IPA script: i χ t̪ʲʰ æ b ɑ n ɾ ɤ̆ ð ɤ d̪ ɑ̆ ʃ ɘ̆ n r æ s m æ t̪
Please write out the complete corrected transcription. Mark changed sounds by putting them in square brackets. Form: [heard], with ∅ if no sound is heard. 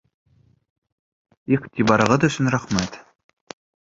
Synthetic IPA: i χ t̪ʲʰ [i] b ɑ [∅] ɾ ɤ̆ [ʁ] ɤ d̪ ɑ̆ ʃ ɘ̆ n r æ [χ] m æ t̪